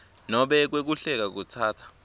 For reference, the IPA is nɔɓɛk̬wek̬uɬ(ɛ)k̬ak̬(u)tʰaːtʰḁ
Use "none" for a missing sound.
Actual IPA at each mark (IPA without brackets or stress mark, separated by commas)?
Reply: ɛ, u